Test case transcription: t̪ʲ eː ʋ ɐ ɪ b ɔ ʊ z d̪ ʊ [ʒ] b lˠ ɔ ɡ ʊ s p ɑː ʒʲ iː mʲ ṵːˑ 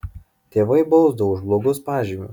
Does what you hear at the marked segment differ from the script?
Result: no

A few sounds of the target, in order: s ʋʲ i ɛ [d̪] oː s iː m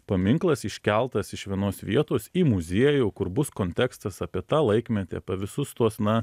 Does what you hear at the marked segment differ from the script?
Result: yes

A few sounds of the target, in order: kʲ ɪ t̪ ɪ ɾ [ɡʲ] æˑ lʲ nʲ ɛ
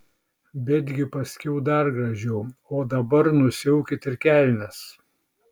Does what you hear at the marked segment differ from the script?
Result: yes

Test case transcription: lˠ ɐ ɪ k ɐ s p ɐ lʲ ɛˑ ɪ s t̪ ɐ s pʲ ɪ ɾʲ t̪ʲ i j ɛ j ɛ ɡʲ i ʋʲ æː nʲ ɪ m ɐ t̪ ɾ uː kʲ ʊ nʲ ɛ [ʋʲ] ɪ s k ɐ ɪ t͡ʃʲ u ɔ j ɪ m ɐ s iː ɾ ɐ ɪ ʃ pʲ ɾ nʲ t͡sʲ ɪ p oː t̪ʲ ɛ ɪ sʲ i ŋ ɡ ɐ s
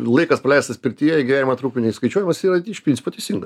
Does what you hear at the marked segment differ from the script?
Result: yes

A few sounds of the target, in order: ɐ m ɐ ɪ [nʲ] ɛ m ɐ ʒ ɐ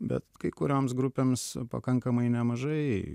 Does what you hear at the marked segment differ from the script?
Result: no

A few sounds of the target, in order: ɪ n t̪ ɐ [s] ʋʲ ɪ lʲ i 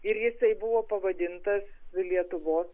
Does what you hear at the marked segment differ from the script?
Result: no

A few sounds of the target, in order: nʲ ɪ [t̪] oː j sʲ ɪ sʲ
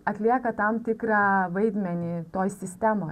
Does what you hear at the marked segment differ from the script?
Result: no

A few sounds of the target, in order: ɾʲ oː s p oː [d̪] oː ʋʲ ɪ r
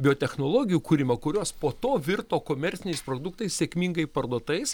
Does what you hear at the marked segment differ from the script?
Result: yes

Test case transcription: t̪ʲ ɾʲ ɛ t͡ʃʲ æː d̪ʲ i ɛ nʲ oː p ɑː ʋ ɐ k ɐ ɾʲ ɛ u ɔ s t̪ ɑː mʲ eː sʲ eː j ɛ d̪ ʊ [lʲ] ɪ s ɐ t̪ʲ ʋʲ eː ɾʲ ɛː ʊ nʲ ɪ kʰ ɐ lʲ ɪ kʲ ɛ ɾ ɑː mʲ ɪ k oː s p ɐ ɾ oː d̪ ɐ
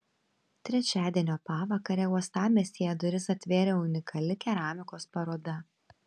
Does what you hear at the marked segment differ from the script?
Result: yes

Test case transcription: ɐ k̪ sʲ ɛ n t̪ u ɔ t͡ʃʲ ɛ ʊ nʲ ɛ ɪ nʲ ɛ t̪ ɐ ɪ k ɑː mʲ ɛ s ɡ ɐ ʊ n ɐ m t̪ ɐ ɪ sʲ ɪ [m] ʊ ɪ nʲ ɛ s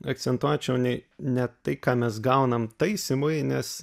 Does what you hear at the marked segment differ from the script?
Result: no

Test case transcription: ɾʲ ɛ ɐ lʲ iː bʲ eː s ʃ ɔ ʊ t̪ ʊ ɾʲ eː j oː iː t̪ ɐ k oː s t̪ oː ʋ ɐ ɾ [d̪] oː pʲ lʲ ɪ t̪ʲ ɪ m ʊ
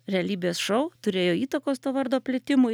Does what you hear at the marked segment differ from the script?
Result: no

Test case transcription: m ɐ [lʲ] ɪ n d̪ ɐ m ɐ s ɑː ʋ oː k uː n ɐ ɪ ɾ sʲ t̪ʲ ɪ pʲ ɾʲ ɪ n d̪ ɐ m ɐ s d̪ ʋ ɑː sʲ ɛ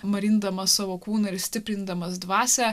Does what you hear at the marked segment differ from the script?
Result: yes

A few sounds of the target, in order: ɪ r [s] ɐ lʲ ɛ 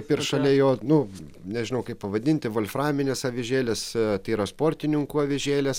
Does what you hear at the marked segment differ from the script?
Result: yes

